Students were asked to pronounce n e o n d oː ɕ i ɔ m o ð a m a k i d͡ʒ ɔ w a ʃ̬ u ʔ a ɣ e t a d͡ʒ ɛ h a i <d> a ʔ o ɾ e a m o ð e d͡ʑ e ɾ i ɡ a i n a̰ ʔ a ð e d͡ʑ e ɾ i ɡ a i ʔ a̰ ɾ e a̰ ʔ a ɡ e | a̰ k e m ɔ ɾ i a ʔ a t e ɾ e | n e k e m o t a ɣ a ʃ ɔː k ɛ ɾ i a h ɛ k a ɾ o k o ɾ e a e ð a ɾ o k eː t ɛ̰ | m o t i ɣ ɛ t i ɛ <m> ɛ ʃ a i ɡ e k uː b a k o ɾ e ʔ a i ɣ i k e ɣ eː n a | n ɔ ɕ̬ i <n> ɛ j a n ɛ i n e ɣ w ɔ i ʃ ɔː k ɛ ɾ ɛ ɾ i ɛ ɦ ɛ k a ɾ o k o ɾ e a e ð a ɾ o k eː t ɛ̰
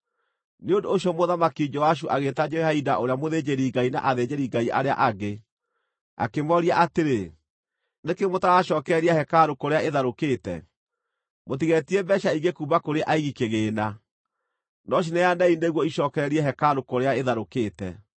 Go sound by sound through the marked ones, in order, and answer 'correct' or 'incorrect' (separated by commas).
correct, incorrect, correct